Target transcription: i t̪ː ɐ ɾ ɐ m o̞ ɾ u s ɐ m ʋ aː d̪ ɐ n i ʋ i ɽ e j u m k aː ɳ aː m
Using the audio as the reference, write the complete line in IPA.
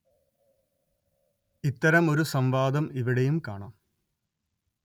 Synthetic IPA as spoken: i t̪ː ɐ ɾ ɐ m o̞ ɾ u s ɐ m ʋ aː d̪ ɐ m i ʋ i ɽ e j u m k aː ɳ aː m